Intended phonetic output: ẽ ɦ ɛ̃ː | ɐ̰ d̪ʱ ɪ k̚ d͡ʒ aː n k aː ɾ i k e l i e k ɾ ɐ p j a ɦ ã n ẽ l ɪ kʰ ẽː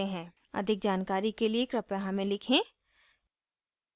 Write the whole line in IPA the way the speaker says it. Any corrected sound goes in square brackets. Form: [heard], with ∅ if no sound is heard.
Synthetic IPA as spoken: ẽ ɦ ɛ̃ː | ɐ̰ d̪ʱ ɪ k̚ d͡ʒ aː n k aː ɾ i k e l i e k ɾ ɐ p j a ɦ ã [m] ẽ l ɪ kʰ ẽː